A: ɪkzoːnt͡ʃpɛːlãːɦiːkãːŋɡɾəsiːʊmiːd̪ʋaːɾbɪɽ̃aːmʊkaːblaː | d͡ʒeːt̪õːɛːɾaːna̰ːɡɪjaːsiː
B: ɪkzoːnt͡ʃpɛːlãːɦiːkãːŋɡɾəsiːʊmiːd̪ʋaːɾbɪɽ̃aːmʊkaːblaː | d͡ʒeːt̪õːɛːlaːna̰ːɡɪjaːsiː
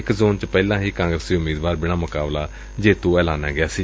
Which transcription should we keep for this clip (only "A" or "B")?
B